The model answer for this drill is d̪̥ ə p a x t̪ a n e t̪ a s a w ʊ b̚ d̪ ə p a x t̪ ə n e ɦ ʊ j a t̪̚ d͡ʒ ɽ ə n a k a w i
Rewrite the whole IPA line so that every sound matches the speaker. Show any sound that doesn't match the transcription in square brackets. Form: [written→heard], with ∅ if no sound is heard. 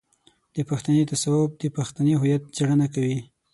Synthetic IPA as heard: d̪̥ ə p a x t̪ a n e t̪ a s a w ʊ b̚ d̪ ə p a x t̪ [ə→a] n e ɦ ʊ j a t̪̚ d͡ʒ ɽ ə n a k a w i